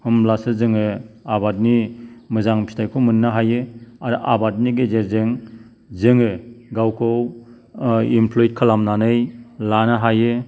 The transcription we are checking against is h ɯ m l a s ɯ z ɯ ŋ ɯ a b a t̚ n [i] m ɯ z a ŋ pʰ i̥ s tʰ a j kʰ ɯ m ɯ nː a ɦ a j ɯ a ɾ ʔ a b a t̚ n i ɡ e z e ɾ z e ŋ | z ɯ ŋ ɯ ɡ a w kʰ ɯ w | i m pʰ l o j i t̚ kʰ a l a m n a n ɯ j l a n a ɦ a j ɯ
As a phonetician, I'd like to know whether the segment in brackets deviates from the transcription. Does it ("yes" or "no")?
no